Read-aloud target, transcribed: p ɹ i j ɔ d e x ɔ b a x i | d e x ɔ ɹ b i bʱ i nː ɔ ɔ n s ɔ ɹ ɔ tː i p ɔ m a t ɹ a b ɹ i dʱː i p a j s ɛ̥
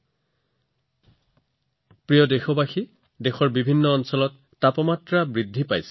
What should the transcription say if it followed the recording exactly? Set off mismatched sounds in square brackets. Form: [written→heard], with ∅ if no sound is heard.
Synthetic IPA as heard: p ɹ i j ɔ d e x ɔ b a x i | d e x ɔ ɹ b i bʱ i nː ɔ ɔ n s ɔ [ɹ→l] ɔ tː [i→a] p ɔ m a t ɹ a b ɹ i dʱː i p a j s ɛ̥